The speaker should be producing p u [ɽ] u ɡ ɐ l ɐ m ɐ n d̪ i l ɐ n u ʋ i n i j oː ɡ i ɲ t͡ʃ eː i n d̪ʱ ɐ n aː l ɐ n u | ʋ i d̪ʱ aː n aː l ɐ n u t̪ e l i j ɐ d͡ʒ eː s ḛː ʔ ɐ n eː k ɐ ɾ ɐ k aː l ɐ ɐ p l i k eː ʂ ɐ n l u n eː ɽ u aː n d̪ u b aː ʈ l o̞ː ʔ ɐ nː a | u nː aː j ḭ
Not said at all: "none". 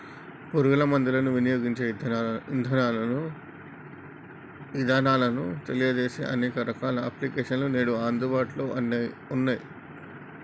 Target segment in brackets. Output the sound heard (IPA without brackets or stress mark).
ɾ